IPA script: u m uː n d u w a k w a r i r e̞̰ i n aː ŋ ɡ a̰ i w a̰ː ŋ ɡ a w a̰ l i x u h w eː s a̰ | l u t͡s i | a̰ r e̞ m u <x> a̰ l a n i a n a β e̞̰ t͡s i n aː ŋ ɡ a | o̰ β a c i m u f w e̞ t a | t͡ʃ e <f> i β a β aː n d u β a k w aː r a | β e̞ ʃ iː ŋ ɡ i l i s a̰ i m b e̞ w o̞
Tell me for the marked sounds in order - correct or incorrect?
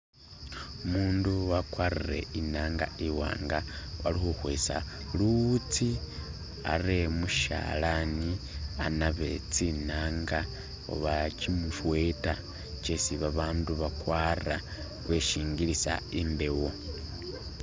incorrect: ʃ, incorrect: s

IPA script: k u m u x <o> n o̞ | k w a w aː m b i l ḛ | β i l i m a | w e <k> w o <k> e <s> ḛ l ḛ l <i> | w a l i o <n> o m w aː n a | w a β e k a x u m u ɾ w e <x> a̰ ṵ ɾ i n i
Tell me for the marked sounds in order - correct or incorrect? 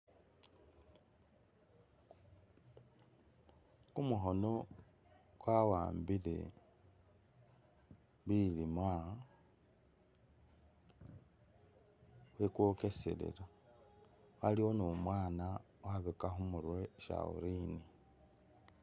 correct, correct, correct, correct, incorrect: a, correct, incorrect: ʃ

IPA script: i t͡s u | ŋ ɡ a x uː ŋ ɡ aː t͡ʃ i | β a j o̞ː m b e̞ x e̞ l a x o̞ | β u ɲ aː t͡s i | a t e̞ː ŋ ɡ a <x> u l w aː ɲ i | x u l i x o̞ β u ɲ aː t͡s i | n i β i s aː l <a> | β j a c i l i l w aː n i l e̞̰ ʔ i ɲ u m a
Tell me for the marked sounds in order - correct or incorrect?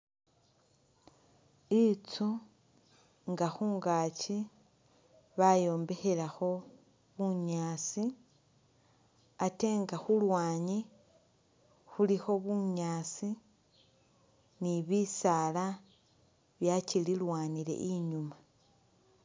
correct, correct

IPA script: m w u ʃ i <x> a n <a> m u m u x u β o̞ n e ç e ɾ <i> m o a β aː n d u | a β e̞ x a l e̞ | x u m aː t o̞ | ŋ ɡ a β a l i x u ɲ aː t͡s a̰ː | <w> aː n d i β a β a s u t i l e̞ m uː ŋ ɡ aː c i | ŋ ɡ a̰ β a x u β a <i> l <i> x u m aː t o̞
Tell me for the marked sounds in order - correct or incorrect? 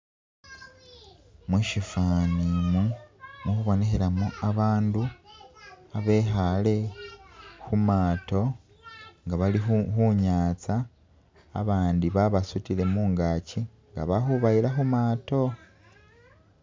incorrect: f, incorrect: i, incorrect: a, incorrect: β, correct, incorrect: a

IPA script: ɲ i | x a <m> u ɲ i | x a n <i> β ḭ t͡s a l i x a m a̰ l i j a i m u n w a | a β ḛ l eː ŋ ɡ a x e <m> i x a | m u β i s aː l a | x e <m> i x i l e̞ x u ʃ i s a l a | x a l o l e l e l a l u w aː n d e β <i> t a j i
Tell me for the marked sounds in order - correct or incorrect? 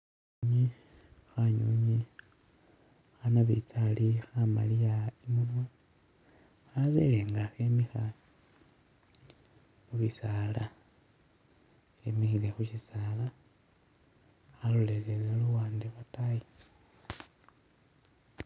incorrect: ɲ, incorrect: a, correct, correct, incorrect: a

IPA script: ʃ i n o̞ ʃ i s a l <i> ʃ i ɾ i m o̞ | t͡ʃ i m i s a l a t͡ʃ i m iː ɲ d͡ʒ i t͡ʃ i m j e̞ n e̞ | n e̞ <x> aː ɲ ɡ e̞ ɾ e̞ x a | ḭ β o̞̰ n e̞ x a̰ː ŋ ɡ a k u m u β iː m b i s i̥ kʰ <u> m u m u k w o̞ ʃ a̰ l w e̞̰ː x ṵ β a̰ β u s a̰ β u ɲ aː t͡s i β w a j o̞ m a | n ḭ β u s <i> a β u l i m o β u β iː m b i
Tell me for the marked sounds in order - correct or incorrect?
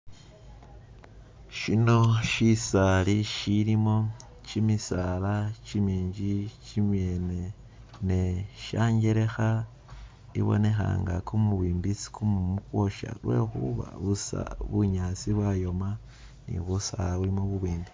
correct, incorrect: ʃ, correct, incorrect: a

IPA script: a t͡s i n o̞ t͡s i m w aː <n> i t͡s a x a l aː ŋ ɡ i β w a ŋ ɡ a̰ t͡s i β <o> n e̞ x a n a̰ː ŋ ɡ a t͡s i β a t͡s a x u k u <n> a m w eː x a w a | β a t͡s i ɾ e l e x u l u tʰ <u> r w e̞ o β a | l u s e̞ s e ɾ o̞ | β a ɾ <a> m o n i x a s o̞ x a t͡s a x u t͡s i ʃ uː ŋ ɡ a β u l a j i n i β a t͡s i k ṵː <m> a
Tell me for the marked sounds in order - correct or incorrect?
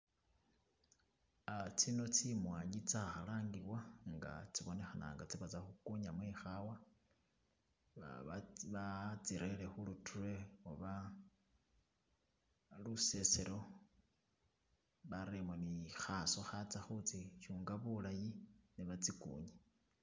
incorrect: ɲ, correct, incorrect: ɲ, correct, incorrect: e, incorrect: ɲ

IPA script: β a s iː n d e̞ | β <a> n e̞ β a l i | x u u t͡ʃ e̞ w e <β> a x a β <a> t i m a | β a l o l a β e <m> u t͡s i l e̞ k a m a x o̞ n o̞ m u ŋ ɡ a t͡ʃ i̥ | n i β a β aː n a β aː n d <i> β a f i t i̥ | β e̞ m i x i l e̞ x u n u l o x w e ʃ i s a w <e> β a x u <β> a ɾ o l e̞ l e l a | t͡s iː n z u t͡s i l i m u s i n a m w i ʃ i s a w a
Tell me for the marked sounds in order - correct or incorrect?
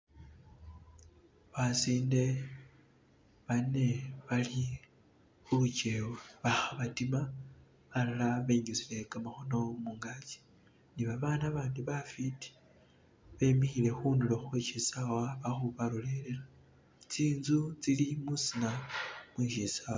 correct, correct, correct, incorrect: ɲ, correct, incorrect: a, correct

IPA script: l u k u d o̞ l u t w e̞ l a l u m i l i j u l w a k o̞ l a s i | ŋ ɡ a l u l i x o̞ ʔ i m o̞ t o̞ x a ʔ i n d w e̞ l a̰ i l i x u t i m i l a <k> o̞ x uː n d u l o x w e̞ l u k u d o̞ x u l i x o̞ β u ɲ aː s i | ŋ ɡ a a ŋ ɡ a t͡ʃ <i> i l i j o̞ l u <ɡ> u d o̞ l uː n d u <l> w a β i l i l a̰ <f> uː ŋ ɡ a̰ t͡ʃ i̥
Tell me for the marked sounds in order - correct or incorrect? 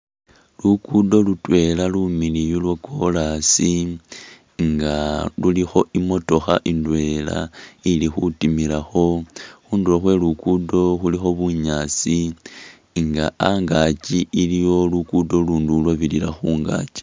incorrect: x, correct, incorrect: k, correct, incorrect: x

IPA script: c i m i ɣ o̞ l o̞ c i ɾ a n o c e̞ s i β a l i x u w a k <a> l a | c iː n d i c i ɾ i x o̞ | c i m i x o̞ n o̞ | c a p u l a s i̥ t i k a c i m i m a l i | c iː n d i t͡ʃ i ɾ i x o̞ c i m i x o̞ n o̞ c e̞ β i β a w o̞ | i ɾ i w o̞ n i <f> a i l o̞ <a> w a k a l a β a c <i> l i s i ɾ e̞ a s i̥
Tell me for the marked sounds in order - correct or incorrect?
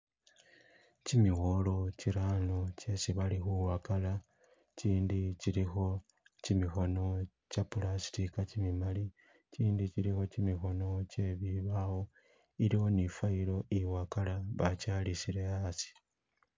correct, correct, incorrect: i, incorrect: a

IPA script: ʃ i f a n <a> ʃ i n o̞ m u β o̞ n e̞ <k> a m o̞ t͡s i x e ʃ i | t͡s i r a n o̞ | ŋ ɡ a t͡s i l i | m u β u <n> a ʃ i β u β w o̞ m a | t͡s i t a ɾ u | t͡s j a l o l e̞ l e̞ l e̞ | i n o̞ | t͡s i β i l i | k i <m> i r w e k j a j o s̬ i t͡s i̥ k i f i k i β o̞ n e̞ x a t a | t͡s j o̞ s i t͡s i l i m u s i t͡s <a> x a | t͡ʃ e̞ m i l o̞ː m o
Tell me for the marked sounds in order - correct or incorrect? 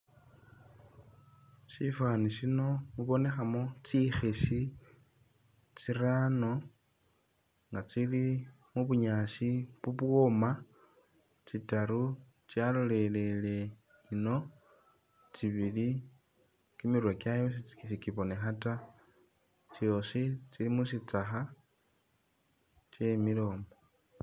incorrect: i, incorrect: x, incorrect: ɲ, correct, correct

